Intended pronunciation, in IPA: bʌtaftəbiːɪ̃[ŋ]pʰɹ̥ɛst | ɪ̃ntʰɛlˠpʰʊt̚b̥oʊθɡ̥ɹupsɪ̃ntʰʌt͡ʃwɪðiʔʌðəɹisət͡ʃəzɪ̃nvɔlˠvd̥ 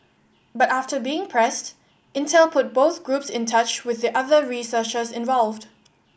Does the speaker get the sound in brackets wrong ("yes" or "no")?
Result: no